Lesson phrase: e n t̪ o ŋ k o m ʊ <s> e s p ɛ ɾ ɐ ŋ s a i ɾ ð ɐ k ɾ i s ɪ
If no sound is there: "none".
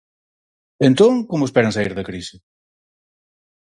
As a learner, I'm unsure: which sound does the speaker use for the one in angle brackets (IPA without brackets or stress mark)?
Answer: none